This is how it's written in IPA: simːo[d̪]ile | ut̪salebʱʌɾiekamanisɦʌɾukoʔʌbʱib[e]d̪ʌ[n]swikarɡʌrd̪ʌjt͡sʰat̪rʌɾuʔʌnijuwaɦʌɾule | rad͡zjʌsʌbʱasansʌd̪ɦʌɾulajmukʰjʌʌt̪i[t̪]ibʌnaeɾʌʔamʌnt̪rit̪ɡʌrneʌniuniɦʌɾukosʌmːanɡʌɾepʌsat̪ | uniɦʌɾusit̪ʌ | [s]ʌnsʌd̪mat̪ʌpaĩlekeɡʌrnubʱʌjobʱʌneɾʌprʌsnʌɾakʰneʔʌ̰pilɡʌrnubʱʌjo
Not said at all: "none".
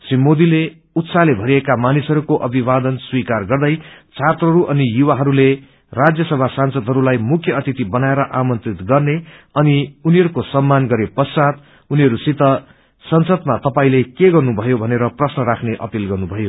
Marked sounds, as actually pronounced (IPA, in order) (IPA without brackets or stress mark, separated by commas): d̪, a, n, t̪, s